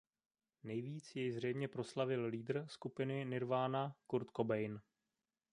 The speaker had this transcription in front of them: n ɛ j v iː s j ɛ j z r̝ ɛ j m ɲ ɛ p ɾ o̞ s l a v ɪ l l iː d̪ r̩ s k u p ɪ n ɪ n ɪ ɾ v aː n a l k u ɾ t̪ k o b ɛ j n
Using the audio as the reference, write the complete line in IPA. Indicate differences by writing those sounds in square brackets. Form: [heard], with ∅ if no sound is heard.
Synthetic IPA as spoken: n ɛ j v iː [t͡s] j ɛ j z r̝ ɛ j m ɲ ɛ p ɾ o̞ s l a v ɪ l l iː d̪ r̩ s k u p ɪ n ɪ n ɪ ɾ v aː n a [∅] k u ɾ t̪ k o b ɛ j n